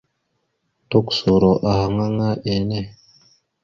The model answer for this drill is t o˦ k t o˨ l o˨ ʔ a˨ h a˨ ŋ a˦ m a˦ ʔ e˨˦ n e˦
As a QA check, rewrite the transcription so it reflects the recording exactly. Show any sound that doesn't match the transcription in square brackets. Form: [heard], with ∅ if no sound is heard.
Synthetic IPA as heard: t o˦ k [s] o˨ [ɾ] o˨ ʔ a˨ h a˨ ŋ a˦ [ŋ] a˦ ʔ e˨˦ n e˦